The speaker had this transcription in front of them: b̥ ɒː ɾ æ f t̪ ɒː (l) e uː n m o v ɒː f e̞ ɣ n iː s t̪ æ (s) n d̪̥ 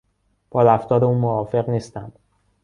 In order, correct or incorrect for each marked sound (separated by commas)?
incorrect, incorrect